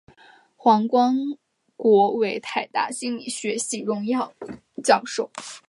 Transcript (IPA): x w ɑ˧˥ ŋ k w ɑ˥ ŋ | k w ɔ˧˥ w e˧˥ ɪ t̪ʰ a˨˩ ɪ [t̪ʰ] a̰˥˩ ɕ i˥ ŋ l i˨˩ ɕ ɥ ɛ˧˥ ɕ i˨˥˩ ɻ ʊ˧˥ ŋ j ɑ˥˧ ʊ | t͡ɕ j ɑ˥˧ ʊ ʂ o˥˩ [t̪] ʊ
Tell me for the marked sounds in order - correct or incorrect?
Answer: incorrect: t̪, incorrect: none

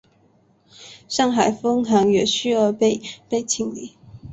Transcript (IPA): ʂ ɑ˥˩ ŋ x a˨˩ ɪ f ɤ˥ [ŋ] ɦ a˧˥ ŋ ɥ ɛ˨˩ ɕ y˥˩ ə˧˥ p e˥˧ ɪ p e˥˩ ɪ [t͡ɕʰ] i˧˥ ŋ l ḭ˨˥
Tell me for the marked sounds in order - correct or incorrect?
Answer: correct, correct

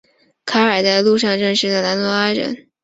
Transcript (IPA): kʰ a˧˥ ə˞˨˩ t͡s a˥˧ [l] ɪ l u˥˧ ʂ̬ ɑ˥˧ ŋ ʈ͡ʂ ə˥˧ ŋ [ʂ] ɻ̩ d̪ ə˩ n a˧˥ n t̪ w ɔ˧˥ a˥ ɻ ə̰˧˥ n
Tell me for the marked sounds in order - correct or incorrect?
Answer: incorrect: none, correct

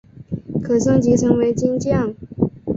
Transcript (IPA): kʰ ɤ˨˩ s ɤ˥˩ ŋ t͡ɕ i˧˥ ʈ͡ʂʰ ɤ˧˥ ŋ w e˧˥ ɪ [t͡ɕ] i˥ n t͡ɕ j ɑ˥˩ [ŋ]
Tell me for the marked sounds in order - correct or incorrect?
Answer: correct, correct

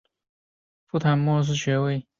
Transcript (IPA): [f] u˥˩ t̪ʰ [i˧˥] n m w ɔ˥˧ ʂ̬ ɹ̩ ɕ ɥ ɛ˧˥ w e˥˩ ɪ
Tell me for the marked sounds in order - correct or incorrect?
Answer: correct, incorrect: a˧˥

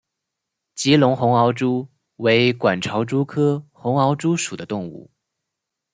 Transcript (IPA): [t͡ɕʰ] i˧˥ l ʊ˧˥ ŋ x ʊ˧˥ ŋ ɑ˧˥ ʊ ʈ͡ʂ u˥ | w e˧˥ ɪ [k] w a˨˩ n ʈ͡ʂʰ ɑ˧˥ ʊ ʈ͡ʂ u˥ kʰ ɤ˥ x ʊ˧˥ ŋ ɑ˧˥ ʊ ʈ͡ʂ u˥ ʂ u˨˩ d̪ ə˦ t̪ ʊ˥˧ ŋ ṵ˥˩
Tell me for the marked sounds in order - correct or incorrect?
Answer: incorrect: t͡ɕ, correct

